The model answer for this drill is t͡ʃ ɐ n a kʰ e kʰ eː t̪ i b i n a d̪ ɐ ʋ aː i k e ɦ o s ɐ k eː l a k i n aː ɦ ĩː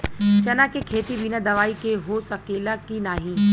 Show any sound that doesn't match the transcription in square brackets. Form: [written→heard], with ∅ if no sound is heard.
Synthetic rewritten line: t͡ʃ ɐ n a [kʰ→k] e kʰ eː t̪ i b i n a d̪ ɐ ʋ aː i k e ɦ o s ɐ k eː l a k i n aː ɦ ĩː

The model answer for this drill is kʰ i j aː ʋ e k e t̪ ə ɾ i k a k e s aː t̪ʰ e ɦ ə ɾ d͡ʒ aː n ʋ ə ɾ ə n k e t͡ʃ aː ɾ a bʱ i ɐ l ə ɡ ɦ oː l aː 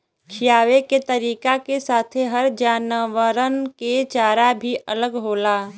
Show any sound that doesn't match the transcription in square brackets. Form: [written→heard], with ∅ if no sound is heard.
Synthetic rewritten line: kʰ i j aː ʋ e k e t̪ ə ɾ [i→iː] k a k e s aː t̪ʰ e ɦ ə ɾ d͡ʒ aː n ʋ ə ɾ ə n k e t͡ʃ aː ɾ a bʱ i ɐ l ə ɡ ɦ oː l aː

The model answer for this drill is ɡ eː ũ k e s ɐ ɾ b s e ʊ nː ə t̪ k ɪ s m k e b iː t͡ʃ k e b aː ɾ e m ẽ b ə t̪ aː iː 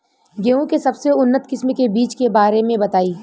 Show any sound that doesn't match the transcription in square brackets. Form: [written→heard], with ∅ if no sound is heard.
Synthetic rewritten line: ɡ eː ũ k e s ɐ [ɾ→∅] b s e ʊ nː ə t̪ k ɪ s m k e b iː t͡ʃ k e b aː ɾ e m ẽ b [ə→ɐ] t̪ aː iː

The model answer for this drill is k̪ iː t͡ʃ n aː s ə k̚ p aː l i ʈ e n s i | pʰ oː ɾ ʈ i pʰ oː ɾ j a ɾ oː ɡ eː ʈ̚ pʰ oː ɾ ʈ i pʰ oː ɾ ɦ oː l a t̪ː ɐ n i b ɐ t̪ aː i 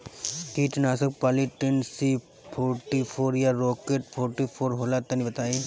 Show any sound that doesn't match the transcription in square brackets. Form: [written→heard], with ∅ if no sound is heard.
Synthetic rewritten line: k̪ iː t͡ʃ n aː s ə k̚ p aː l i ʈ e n s i | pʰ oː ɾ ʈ i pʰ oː ɾ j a ɾ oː [ɡ→k] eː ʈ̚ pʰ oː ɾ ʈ i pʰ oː ɾ ɦ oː l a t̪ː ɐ n i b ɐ t̪ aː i

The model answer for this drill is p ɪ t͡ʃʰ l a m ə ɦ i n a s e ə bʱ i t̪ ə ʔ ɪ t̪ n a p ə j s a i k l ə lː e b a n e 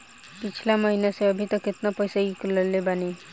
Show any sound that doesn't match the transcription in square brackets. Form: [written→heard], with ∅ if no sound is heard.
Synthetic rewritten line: p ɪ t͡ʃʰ l a m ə ɦ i n a s e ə bʱ i t̪ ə [ʔ→k] ɪ t̪ n a p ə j s a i k l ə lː e b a n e

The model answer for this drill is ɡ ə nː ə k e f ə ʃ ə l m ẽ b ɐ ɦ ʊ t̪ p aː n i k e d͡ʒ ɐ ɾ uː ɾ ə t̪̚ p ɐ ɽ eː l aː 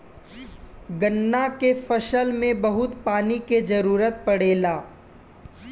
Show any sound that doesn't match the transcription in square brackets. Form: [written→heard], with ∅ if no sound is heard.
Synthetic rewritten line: ɡ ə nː [ə→a] k e f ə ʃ ə l m ẽ b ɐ ɦ ʊ t̪ p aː n i k e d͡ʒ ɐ ɾ uː ɾ ə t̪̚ p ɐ ɽ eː l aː

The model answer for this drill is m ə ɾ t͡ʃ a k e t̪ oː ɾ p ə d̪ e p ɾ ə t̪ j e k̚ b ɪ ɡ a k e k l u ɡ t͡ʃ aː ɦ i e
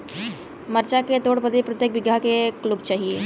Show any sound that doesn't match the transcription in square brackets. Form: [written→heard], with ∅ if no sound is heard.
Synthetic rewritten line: m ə ɾ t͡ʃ a k e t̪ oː [ɾ→ɽ] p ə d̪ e p ɾ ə t̪ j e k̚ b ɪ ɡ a k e k l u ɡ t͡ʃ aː ɦ i e

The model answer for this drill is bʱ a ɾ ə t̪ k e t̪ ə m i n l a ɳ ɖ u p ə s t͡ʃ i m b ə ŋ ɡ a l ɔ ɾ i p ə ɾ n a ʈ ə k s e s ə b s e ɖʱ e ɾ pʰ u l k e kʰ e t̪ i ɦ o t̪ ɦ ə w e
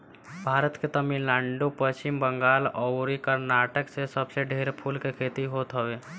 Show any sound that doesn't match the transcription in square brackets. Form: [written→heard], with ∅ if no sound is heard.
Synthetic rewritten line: bʱ a ɾ ə t̪ k e t̪ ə m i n l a ɳ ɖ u p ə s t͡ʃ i m b ə ŋ ɡ a l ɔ ɾ i [p→k] ə ɾ n a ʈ ə k s e s ə b s e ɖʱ e ɾ pʰ u l k e kʰ e t̪ i ɦ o t̪ ɦ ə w e

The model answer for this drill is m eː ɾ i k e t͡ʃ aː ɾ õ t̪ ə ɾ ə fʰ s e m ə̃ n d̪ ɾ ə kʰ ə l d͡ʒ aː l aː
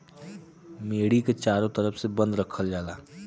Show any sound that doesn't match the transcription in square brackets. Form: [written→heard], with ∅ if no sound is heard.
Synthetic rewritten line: m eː [ɾ→ɽ] i k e t͡ʃ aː ɾ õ t̪ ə ɾ ə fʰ s e [m→b] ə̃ n d̪ ɾ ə kʰ ə l d͡ʒ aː l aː

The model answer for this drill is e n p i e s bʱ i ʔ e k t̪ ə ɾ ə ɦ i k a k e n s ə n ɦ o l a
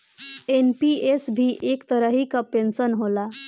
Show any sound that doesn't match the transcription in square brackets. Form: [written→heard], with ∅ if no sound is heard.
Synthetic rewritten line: e n p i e s bʱ i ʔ e k t̪ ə ɾ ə ɦ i k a [k→p] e n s ə n ɦ o l a

